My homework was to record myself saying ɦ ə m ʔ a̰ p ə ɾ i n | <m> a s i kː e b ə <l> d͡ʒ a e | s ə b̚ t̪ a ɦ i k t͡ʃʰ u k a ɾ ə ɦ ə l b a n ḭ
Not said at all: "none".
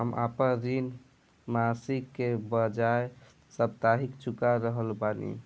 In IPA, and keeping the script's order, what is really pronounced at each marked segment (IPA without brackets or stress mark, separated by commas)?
m, none